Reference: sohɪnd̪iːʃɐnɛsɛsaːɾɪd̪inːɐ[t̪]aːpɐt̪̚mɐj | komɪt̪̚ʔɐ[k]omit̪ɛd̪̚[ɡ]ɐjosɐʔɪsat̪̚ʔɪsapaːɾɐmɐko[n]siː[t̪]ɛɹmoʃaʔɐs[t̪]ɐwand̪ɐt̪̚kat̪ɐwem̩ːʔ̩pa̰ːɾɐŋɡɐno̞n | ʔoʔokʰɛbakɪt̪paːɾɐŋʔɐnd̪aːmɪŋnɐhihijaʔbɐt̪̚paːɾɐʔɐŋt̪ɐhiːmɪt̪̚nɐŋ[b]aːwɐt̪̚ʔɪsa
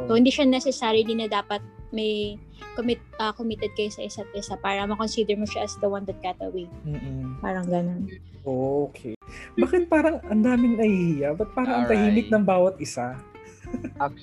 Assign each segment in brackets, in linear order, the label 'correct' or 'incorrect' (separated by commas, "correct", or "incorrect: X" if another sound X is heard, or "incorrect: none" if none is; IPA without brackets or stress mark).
incorrect: d̪, correct, incorrect: k, correct, incorrect: d̪, incorrect: d̪, correct